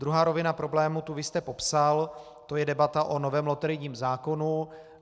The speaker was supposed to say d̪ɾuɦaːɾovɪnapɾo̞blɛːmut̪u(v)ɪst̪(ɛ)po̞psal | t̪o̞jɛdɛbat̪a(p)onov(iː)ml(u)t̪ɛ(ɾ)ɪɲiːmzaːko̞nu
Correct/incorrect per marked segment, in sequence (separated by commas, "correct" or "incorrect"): correct, correct, incorrect, incorrect, incorrect, correct